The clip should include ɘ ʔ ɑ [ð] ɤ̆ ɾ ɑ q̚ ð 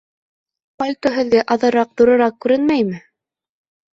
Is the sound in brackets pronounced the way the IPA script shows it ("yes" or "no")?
yes